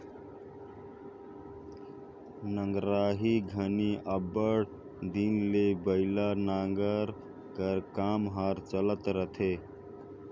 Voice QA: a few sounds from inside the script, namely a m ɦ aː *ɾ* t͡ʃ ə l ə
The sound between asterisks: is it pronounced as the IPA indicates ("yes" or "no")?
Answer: yes